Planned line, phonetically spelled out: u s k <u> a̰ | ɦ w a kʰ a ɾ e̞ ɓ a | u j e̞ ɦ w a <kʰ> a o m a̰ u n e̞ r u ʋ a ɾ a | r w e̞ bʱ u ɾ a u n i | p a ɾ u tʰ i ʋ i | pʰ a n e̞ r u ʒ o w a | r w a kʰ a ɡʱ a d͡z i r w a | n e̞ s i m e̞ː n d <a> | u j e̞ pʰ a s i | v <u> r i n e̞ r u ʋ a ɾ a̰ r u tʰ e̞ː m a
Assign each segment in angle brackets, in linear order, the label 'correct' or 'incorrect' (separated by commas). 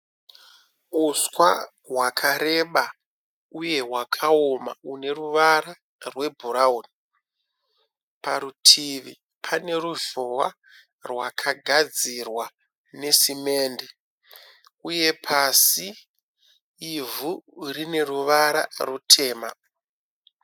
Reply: incorrect, correct, incorrect, correct